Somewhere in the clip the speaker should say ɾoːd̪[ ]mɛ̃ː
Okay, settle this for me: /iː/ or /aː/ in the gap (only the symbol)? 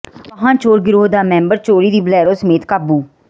aː